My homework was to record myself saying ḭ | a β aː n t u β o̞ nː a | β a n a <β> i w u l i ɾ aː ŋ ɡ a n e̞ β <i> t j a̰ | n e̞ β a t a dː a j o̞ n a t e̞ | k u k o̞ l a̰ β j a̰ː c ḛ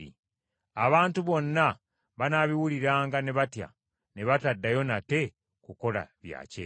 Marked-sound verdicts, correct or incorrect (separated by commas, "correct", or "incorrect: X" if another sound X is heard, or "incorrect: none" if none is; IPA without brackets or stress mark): correct, incorrect: a